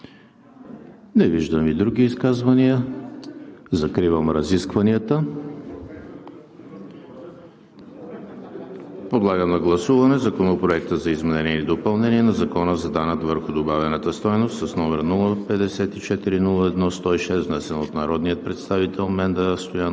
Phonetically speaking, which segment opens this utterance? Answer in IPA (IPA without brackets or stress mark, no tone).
n